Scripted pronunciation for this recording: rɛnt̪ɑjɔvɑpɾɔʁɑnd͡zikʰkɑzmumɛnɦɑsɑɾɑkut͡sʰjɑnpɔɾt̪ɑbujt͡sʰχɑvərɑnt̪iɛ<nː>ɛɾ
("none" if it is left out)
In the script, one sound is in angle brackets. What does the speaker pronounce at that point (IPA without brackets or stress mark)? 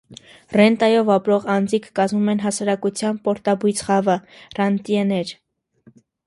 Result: n